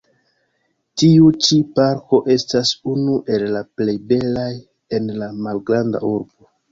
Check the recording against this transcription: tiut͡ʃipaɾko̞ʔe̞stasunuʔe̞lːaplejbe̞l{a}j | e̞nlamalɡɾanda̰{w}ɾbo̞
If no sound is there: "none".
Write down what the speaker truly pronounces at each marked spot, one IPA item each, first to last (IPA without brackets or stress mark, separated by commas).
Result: a, u